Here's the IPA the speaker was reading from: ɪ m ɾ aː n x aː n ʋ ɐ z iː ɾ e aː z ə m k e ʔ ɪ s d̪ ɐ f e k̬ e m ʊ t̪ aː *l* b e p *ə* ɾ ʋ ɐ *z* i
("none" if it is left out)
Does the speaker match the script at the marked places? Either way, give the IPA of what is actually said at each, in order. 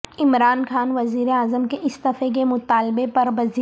l, ɐ, z

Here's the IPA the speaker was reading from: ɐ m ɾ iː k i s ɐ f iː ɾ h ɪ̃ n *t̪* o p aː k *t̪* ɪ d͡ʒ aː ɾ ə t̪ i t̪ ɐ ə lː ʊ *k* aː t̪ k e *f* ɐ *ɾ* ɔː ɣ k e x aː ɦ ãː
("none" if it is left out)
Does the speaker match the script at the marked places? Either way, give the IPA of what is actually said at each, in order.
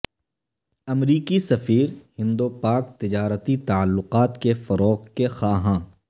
d̪, t̪, q, f, ɾ

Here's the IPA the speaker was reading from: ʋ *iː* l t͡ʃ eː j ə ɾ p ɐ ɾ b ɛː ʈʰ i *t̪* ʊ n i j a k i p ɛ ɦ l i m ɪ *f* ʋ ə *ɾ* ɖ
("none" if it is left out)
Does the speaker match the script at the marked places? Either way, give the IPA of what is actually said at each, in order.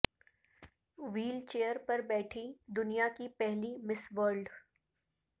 iː, d̪, s, ɾ

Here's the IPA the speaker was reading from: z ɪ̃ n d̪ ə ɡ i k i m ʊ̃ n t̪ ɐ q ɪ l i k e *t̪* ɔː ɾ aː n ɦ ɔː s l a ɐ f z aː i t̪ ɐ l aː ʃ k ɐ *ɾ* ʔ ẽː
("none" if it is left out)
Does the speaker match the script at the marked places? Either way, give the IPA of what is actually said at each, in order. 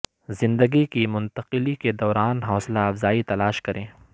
d̪, ɾ

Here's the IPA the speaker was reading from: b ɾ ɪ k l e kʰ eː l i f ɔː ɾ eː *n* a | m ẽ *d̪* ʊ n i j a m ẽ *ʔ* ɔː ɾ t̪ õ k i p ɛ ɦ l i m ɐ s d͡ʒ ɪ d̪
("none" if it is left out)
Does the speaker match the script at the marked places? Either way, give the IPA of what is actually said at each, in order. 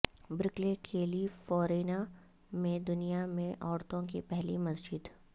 n, d̪, ʔ

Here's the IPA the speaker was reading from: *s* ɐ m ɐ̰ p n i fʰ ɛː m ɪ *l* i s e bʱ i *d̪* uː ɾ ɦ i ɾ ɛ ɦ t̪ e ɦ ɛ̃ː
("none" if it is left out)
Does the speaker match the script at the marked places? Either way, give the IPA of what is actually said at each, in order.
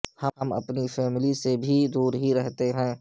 h, l, d̪

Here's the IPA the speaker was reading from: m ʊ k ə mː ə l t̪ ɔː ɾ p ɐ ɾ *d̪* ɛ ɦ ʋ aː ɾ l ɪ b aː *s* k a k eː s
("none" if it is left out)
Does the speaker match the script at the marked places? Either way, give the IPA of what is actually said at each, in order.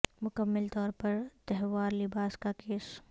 t̪, s

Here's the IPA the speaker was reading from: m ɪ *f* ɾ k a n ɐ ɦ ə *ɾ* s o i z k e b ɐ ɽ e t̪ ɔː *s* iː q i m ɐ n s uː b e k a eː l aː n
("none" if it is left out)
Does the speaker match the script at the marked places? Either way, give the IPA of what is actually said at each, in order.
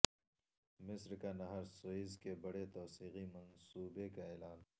s, ɾ, s

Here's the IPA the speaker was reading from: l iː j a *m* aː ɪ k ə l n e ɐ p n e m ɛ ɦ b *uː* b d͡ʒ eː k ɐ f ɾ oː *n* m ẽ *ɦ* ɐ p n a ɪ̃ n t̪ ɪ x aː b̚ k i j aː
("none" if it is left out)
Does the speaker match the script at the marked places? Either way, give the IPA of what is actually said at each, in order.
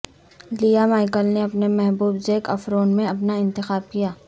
m, uː, n, none

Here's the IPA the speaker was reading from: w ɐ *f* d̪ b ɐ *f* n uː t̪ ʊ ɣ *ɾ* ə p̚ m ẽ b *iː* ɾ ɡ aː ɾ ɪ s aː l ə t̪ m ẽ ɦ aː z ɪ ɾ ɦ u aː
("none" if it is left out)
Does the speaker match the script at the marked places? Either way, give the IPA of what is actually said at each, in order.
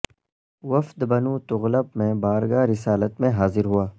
f, none, l, aː

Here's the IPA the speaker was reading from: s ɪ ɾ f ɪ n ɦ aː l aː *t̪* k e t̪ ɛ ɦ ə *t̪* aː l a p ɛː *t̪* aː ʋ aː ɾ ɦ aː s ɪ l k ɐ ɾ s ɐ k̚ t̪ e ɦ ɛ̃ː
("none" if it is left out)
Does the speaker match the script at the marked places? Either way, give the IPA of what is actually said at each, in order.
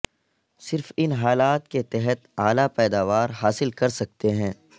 t̪, t̪, d̪

